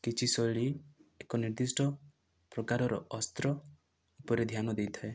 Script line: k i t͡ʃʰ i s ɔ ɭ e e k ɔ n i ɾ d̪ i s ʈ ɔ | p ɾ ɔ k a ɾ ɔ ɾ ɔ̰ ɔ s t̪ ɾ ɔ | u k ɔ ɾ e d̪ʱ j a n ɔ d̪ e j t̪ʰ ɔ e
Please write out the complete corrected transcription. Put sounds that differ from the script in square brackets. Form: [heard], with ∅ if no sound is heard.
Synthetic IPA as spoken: k i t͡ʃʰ i s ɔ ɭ [i] e k ɔ n i ɾ d̪ i s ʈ ɔ | p ɾ ɔ k a ɾ ɔ ɾ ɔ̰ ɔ s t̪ ɾ ɔ | u [p] ɔ ɾ e d̪ʱ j a n ɔ d̪ e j t̪ʰ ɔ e